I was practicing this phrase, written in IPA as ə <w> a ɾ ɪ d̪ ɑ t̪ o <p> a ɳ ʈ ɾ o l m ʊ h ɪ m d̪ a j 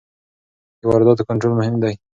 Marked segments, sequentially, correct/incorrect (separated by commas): correct, incorrect